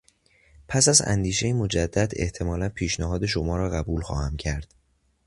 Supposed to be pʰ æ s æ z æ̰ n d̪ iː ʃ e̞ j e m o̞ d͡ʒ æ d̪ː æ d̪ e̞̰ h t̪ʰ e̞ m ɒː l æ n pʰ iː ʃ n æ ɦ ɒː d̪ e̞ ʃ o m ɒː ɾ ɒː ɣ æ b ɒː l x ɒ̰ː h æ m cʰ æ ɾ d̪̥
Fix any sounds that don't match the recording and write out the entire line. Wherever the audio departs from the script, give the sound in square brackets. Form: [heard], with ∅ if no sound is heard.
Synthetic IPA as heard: pʰ æ s æ z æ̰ n d̪ iː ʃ e̞ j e m o̞ d͡ʒ æ d̪ː æ d̪ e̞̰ h t̪ʰ e̞ m ɒː l æ n pʰ iː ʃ n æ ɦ ɒː d̪ e̞ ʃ o m ɒː ɾ ɒː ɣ æ b [uː] l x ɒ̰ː h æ m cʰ æ ɾ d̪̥